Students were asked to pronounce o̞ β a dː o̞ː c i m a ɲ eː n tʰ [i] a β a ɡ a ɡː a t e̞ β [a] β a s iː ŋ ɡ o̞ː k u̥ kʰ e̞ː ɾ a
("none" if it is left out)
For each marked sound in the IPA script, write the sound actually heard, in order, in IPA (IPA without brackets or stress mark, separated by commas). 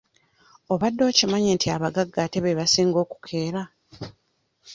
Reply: i, e